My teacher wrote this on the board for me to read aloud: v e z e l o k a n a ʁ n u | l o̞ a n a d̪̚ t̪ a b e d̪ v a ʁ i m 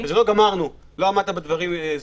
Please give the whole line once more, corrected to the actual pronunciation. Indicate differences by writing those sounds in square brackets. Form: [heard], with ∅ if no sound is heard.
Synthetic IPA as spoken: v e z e l o [ɡ] a [m] a ʁ n u | l o̞ a [m] a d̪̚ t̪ a b e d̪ v a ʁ i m